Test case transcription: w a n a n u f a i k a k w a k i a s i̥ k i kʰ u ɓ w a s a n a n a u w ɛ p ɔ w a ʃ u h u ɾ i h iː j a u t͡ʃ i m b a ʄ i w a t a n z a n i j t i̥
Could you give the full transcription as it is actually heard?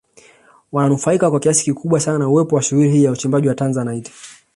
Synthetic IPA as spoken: w a n a n u f a i k a k w a k i a s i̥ k i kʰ u ɓ w a s a n a n a u w ɛ p ɔ w a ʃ u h u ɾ i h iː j a u t͡ʃ i m b a ʄ i w a t a n z a n a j t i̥